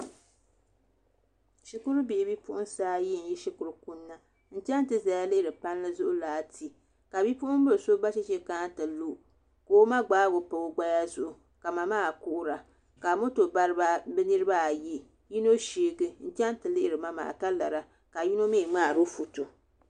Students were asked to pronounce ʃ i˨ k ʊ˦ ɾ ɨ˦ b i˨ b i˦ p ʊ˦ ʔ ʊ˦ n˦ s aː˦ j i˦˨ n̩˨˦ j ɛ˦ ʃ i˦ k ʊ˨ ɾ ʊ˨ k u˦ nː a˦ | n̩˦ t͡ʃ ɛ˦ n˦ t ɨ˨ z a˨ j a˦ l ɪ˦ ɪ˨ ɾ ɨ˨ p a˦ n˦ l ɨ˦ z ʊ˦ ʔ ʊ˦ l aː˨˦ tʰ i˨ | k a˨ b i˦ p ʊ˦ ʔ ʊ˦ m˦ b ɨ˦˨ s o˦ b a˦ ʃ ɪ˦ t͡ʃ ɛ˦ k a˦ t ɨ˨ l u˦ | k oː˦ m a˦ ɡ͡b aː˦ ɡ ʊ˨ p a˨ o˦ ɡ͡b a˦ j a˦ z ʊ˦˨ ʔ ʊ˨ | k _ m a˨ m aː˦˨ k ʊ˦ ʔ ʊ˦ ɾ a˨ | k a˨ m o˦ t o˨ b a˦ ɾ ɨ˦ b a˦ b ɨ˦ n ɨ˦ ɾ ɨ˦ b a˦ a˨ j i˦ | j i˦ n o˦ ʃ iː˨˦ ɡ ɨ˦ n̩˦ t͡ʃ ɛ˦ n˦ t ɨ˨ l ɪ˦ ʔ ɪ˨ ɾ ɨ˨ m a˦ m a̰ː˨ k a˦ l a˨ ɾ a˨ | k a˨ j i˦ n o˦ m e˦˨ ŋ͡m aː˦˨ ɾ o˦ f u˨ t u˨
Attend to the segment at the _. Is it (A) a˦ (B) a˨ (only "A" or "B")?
B